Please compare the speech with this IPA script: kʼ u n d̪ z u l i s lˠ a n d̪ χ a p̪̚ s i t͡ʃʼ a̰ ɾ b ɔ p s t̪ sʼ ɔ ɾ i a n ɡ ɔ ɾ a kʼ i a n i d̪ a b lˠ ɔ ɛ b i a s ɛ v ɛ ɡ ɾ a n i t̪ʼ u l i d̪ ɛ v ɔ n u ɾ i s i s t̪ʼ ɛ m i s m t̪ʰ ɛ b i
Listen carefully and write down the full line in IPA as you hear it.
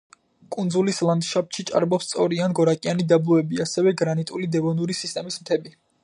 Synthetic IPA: kʼ u n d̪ z u l i s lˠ a n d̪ ʃ a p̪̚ ʃ i t͡ʃʼ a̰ ɾ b ɔ p s t̪ sʼ ɔ ɾ i a n ɡ ɔ ɾ a kʼ i a n i d̪ a b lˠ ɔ ɛ b i a s ɛ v ɛ ɡ ɾ a n i t̪ʼ u l i d̪ ɛ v ɔ n u ɾ i s i s t̪ʼ ɛ m i s m t̪ʰ ɛ b i